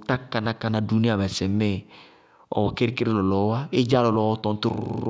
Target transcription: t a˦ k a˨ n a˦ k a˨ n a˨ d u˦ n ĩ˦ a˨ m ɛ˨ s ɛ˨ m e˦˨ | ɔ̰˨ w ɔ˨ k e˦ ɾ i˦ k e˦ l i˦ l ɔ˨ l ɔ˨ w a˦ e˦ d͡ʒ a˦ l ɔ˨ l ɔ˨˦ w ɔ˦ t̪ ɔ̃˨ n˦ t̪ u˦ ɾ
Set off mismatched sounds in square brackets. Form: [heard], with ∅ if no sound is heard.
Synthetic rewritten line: t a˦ k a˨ n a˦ k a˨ n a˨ d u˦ n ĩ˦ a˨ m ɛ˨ s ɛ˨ m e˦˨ | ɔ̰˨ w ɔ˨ k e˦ ɾ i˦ k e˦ [ɾ] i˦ l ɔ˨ l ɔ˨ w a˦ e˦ d͡ʒ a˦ l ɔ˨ l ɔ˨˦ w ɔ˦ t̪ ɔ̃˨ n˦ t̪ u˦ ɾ